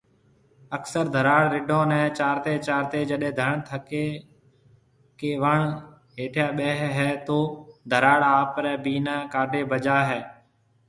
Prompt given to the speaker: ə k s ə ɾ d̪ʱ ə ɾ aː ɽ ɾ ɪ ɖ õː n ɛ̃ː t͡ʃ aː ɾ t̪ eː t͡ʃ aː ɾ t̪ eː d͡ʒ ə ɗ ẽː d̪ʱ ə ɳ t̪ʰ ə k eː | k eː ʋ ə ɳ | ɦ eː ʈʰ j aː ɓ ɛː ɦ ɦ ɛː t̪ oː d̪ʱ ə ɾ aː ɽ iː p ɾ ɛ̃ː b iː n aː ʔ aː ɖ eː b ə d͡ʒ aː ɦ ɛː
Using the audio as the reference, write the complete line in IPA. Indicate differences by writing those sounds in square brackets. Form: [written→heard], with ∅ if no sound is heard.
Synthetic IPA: ə k s ə ɾ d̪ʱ ə ɾ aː ɽ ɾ ɪ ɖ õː n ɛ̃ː t͡ʃ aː ɾ t̪ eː t͡ʃ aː ɾ t̪ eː d͡ʒ ə ɗ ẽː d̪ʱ ə ɳ t̪ʰ ə k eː | k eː ʋ ə ɳ | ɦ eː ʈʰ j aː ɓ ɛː ɦ ɦ ɛː t̪ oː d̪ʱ ə ɾ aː ɽ [iː→aː] p ɾ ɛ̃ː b iː n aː [ʔ→k] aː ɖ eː b ə d͡ʒ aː ɦ ɛː

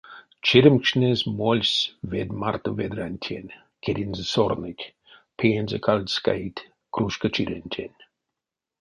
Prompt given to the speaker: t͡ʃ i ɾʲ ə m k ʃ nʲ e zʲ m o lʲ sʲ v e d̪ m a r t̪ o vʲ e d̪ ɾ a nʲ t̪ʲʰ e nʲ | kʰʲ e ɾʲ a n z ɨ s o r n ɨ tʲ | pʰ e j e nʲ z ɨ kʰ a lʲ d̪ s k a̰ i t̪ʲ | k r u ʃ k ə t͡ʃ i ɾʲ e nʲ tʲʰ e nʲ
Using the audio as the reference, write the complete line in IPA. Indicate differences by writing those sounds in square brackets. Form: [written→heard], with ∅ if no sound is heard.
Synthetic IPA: t͡ʃ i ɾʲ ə m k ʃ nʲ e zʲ m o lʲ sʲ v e d̪ m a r t̪ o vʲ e d̪ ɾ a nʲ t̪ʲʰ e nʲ | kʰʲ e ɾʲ [a→i] n z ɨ s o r n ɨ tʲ | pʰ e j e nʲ z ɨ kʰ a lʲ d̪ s k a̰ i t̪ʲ | k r u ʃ k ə t͡ʃ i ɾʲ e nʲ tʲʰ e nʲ

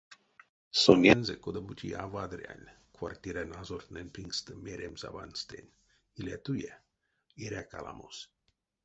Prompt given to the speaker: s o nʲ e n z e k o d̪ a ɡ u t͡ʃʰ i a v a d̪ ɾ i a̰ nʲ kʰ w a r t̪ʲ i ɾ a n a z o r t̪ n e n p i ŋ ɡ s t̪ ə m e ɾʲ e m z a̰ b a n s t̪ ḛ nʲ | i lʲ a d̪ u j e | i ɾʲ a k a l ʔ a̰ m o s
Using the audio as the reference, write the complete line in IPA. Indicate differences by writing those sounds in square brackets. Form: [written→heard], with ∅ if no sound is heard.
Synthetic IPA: s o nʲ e n z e k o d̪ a [ɡ→b] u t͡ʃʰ i a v a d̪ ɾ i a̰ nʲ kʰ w a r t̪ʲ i ɾ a n a z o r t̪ n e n p i ŋ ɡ s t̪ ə m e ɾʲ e m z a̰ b a n s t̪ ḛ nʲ | i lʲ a [d̪→t̪] u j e | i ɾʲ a k a l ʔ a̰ m o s

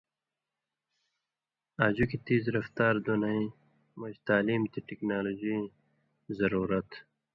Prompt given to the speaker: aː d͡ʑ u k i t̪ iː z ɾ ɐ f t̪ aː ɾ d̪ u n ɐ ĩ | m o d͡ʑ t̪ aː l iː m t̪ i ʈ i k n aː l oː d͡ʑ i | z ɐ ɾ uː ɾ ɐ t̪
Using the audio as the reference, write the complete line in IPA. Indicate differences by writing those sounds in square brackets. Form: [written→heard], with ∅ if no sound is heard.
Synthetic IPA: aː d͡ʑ u k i t̪ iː z ɾ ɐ f t̪ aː ɾ d̪ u n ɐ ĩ | m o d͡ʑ t̪ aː l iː m t̪ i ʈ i k n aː l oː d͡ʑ i | z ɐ ɾ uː ɾ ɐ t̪

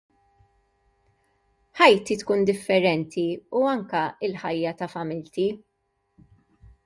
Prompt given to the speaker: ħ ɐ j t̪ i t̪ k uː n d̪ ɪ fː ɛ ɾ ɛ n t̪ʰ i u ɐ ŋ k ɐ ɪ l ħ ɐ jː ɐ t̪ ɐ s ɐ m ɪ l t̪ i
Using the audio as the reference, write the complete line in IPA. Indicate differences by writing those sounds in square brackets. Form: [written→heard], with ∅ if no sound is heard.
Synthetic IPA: ħ ɐ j t̪ i t̪ k uː n d̪ ɪ fː ɛ ɾ ɛ n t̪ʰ i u ɐ ŋ k ɐ ɪ l ħ ɐ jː ɐ t̪ ɐ [s→f] ɐ m ɪ l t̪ i

